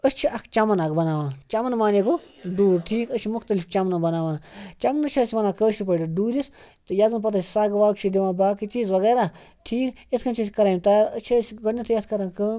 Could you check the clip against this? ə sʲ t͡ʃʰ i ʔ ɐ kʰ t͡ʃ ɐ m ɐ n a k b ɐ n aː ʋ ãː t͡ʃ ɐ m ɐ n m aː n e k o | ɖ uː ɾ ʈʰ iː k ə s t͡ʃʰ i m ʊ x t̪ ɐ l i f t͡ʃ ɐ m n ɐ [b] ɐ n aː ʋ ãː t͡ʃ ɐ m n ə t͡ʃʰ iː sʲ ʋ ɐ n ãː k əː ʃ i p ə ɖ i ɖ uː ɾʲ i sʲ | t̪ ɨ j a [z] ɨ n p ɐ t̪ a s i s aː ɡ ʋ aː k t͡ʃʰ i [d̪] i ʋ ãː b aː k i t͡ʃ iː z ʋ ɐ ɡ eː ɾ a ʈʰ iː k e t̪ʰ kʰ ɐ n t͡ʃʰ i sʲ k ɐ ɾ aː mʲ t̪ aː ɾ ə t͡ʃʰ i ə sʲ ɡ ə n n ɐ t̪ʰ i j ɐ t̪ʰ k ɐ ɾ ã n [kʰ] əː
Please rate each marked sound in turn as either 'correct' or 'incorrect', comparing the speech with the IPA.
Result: correct, correct, correct, incorrect

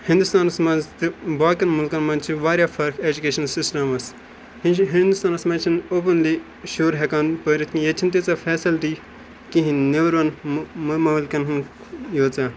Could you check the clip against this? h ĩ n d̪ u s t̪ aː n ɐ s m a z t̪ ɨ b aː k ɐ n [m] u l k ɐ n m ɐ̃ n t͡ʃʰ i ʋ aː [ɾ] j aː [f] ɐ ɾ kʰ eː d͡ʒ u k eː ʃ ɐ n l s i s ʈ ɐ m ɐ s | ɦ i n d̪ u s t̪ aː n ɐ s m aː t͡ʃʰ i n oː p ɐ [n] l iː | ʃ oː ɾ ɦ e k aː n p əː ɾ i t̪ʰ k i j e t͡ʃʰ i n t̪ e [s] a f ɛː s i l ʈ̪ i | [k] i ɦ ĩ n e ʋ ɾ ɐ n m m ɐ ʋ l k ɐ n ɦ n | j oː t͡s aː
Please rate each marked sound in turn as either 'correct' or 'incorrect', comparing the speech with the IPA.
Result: correct, correct, correct, correct, incorrect, correct

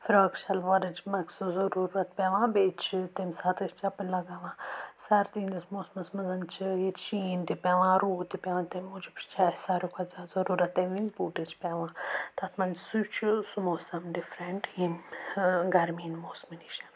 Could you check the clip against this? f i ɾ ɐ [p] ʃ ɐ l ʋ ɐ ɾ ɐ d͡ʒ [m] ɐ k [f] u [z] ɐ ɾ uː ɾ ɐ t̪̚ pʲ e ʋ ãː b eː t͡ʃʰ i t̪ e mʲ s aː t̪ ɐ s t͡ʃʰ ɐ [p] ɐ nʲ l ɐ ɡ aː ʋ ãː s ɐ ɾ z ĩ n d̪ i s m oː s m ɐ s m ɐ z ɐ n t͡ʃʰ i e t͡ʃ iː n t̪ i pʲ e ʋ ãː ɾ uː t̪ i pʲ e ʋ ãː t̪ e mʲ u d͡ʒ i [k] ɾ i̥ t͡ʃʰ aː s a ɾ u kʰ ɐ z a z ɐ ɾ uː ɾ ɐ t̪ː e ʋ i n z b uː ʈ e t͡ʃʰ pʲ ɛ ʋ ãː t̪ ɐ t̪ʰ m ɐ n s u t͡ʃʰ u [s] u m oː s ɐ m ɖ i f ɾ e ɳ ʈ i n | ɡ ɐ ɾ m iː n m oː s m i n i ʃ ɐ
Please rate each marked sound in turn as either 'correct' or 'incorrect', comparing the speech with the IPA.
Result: incorrect, correct, incorrect, correct, correct, incorrect, correct

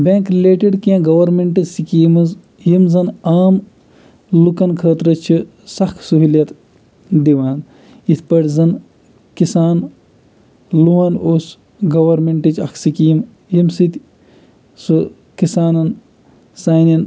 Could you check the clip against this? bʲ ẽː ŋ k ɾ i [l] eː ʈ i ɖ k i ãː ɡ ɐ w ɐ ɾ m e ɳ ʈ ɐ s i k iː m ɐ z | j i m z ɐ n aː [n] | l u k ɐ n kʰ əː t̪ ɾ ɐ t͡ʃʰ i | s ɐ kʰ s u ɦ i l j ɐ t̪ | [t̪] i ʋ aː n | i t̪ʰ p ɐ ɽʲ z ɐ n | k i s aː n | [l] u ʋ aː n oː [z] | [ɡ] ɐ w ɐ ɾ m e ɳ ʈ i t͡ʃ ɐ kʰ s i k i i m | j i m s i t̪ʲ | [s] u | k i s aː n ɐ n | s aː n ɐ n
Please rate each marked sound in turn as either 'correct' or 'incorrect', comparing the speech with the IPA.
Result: correct, incorrect, incorrect, correct, incorrect, correct, correct

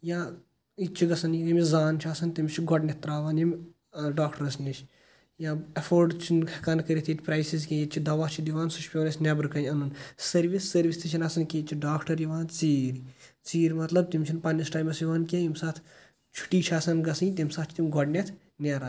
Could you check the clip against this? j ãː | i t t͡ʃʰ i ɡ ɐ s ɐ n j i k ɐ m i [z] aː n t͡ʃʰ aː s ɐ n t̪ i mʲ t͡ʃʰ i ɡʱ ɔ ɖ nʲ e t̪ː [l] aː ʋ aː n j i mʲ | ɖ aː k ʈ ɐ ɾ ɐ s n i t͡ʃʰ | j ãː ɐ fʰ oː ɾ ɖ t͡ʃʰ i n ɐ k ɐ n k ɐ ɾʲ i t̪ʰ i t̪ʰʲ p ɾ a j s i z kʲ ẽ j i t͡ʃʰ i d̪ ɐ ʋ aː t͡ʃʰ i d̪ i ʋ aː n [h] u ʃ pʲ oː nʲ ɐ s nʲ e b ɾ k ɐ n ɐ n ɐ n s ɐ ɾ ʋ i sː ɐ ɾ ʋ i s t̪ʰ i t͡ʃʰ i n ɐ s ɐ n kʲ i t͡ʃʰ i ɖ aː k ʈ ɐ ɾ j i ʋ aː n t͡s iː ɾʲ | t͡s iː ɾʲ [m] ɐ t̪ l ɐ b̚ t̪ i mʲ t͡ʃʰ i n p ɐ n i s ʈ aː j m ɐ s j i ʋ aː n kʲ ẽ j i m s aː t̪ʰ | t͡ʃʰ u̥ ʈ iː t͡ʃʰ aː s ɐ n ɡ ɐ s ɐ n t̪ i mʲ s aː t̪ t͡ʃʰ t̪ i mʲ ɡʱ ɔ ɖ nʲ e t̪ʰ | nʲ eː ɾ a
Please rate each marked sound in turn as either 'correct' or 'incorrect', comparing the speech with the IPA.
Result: correct, incorrect, incorrect, correct

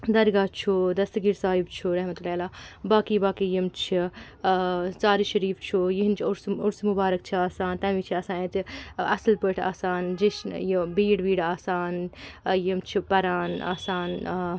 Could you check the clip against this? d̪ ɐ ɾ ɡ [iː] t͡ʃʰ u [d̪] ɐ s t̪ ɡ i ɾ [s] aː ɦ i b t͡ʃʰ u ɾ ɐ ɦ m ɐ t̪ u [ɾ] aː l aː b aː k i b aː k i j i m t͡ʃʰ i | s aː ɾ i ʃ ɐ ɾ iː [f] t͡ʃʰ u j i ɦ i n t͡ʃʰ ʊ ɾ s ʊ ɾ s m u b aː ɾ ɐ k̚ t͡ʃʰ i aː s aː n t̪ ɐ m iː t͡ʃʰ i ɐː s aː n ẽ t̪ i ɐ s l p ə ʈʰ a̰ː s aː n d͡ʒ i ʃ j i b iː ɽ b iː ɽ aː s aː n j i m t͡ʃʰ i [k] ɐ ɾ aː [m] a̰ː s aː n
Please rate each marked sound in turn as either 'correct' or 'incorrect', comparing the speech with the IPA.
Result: incorrect, correct, correct, incorrect, correct, incorrect, incorrect

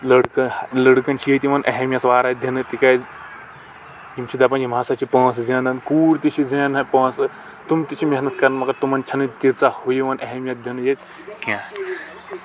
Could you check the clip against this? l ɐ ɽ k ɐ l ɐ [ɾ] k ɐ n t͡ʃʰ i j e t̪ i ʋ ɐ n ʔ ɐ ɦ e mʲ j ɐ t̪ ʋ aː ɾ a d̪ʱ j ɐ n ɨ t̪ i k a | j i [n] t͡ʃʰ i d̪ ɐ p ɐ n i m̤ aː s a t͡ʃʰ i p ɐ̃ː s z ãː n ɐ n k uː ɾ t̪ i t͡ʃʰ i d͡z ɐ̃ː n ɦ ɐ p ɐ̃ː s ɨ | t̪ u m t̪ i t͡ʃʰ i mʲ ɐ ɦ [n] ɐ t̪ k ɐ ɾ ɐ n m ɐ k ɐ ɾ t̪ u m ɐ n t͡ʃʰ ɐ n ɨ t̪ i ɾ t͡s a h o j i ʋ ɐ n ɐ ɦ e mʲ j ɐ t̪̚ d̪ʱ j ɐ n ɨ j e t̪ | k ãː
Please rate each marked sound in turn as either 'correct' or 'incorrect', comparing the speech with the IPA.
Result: incorrect, incorrect, correct

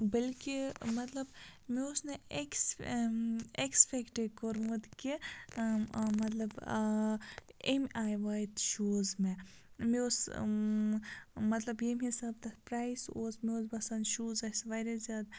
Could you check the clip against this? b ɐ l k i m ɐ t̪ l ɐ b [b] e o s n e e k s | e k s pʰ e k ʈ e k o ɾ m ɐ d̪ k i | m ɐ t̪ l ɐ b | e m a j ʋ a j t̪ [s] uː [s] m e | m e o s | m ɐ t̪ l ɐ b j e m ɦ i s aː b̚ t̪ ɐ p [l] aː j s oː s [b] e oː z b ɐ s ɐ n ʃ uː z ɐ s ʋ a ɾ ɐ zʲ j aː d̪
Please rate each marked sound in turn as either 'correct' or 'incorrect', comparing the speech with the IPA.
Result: incorrect, incorrect, incorrect, incorrect, incorrect

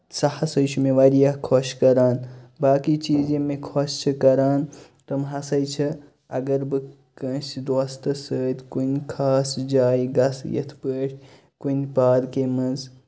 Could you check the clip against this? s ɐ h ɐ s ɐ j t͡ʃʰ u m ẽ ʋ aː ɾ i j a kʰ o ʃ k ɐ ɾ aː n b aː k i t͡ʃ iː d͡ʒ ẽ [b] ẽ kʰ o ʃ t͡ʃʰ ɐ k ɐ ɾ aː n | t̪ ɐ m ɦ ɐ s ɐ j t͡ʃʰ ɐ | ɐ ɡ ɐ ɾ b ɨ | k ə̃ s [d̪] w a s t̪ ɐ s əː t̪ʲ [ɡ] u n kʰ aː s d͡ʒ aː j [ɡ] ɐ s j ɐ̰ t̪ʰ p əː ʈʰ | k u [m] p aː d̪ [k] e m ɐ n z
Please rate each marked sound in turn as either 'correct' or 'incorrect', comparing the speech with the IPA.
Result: incorrect, correct, incorrect, correct, incorrect, correct

